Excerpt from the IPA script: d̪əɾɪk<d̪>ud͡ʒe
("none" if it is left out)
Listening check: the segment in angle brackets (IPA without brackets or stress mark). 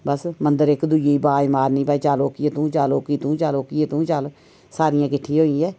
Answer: d̪